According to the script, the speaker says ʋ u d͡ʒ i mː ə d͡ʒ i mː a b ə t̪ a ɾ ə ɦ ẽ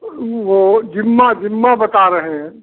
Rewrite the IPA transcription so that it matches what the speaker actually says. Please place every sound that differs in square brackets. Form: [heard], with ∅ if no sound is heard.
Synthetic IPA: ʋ [o] d͡ʒ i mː [a] d͡ʒ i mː a b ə t̪ a ɾ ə ɦ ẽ